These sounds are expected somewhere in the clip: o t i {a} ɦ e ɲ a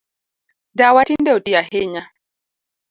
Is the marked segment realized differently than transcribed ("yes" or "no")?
no